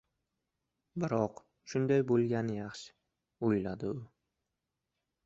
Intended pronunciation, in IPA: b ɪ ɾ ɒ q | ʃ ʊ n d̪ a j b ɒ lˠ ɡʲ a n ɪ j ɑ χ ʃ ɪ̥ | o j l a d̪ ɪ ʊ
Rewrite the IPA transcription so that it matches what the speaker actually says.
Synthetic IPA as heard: b ɪ ɾ ɒ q | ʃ ʊ n d̪ a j b o lˠ ɡʲ a n ɪ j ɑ χ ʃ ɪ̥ | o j l a d̪ ɪ ʊ